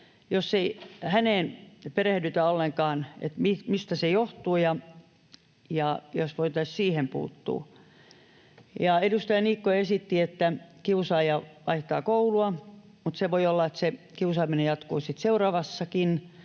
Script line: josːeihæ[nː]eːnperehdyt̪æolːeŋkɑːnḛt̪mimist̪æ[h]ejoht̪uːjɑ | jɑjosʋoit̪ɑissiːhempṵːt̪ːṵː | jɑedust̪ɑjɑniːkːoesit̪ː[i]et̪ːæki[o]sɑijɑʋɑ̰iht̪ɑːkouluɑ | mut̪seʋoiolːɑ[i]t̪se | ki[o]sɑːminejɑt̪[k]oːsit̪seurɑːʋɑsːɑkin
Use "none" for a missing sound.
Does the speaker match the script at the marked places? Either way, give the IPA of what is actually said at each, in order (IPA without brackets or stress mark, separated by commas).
n, s, i, u, e, u, k